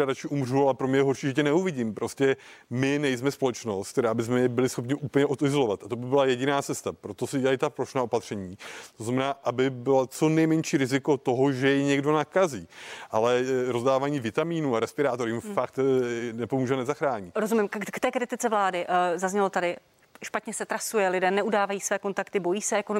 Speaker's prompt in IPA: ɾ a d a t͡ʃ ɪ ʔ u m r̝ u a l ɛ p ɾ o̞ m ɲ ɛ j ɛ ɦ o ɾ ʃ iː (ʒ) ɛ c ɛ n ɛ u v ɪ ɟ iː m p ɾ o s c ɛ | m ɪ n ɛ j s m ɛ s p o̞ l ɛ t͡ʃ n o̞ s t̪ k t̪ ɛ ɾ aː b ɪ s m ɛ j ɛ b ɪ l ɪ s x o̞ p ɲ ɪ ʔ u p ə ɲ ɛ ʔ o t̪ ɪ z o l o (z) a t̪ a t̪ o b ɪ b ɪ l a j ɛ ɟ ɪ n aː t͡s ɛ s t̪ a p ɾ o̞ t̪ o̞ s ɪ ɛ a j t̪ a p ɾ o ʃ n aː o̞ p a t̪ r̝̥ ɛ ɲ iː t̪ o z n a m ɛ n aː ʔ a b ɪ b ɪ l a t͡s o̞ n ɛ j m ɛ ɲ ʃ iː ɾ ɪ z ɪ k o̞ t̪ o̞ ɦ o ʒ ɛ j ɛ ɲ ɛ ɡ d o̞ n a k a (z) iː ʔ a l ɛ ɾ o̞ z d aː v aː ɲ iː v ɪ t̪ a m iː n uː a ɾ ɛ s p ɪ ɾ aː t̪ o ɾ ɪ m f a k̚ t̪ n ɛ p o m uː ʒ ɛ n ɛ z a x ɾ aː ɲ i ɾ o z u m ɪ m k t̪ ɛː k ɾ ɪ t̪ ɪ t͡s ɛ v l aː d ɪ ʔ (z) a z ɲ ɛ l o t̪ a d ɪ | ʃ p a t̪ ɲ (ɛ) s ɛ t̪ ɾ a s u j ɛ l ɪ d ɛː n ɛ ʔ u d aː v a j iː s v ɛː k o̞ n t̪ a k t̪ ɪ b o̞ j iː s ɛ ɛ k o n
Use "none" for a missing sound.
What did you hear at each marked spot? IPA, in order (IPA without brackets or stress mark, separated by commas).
ʒ, v, z, z, ɛ